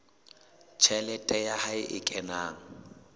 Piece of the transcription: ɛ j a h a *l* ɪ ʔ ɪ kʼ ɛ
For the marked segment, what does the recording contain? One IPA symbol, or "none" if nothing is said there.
none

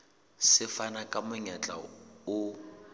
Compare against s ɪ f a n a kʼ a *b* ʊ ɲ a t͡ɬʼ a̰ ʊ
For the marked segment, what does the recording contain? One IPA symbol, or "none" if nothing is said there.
m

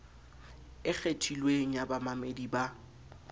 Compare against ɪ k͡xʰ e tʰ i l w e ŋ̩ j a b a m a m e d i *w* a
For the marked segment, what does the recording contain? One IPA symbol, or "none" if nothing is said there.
b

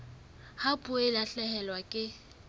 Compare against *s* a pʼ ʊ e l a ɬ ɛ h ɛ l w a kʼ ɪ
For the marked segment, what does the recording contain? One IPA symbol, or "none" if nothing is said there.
h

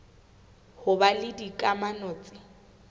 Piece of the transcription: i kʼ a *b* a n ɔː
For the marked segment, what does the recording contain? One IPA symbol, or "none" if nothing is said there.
m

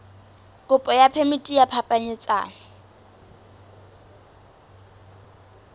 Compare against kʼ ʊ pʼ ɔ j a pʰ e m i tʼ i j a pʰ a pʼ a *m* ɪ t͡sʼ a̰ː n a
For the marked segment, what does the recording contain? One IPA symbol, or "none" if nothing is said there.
ɲ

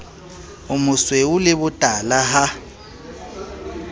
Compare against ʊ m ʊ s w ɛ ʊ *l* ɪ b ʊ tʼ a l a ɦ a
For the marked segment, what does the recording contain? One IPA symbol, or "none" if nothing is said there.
l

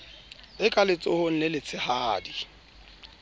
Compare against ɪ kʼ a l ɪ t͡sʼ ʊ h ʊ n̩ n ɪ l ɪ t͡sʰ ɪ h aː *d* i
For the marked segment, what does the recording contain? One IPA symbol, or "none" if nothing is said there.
d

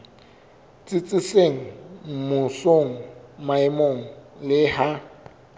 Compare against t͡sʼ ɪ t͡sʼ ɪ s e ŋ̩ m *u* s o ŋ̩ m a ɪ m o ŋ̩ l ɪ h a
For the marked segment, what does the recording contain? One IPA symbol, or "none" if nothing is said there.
ʊ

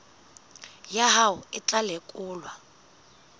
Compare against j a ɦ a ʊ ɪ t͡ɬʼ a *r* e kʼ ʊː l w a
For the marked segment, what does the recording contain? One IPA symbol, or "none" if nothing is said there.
l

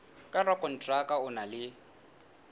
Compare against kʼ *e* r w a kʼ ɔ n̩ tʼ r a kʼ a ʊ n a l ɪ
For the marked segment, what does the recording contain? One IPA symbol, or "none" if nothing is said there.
a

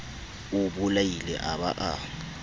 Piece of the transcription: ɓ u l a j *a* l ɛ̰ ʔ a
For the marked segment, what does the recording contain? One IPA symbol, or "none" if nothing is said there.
i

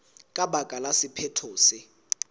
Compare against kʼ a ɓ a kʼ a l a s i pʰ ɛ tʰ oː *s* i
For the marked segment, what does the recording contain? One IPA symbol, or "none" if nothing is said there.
s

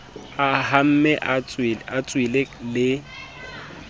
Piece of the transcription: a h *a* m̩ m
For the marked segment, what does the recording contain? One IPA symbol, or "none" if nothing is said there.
a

